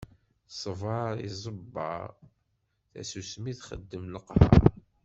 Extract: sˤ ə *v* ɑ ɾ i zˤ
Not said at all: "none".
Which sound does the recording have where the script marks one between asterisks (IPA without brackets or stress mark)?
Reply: v